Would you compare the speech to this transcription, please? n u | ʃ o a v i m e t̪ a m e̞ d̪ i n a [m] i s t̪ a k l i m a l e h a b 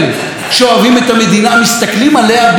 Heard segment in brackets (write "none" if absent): m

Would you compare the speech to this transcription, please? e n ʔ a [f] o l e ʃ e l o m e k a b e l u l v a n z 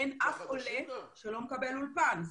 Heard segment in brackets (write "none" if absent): f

